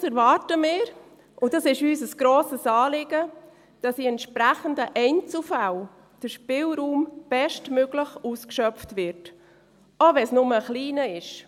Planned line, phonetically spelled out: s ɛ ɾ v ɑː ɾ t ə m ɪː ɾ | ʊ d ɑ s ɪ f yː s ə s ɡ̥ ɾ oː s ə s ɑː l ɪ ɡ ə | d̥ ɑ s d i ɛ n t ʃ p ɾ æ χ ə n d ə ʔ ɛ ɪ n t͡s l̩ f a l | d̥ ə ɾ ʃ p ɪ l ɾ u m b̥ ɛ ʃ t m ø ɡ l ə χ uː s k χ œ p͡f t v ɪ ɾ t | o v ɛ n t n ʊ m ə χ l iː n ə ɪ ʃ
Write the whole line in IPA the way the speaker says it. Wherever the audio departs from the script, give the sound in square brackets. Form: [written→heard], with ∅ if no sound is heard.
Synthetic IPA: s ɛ ɾ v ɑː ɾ t ə m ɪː ɾ | ʊ d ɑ s ɪ [f→ʃ] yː s ə s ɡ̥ ɾ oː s ə s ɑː l ɪ ɡ ə | d̥ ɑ s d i ɛ n t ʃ p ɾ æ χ ə n d ə ʔ ɛ ɪ n t͡s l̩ f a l | d̥ ə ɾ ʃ p ɪ l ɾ [u→uː] m b̥ ɛ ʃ t m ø ɡ l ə χ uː s k [χ→ʃ] œ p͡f t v ɪ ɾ t | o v ɛ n [t→s] n ʊ m ə χ l iː n ə ɪ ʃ